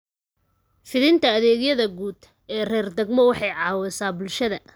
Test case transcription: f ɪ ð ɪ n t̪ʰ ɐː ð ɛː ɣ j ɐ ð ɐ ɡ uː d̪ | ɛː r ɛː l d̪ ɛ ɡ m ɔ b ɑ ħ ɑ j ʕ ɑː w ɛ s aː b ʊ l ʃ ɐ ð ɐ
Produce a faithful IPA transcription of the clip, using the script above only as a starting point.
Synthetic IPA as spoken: f ɪ ð ɪ n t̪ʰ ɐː ð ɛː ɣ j ɐ ð ɐ ɡ uː d̪ | ɛː r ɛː r d̪ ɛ ɡ m ɔ w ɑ ħ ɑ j ʕ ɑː w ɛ s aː b ʊ l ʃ ɐ ð ɐ